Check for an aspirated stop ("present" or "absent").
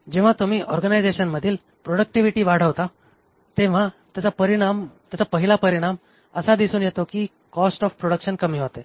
absent